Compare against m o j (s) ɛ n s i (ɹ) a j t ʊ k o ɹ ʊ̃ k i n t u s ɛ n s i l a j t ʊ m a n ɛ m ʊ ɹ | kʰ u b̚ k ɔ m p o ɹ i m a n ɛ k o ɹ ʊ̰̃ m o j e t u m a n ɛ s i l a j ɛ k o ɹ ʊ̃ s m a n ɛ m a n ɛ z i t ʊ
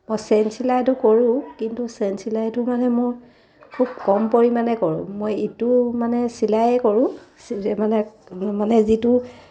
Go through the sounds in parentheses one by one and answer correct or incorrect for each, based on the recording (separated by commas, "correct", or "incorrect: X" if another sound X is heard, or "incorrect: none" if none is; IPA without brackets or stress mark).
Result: correct, incorrect: l